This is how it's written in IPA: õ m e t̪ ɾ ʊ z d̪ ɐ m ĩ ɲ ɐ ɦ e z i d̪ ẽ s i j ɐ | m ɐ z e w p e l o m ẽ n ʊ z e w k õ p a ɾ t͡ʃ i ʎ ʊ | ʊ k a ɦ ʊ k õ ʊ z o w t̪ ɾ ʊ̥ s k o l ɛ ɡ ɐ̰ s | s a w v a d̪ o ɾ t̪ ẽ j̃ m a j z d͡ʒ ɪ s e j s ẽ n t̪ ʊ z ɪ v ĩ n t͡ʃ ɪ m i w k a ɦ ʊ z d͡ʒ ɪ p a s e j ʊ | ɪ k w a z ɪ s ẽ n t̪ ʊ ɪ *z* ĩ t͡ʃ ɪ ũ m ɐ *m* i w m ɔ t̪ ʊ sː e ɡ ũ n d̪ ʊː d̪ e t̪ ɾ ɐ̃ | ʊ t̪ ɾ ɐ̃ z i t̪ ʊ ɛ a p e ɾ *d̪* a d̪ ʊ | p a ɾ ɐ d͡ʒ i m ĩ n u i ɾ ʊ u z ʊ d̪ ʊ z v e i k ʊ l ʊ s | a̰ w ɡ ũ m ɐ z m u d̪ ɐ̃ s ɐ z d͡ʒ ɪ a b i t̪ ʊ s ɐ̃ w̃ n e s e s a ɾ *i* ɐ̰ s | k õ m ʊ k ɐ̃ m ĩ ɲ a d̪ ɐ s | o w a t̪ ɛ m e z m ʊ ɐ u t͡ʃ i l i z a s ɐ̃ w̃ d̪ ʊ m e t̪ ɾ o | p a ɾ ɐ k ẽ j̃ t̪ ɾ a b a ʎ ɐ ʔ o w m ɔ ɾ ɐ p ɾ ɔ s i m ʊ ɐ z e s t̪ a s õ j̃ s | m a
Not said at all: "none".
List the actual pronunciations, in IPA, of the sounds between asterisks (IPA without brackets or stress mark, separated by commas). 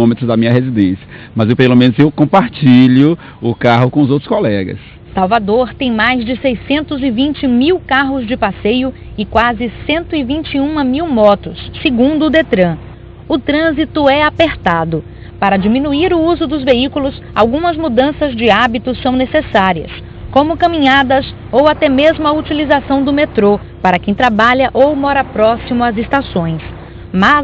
v, m, t̪, i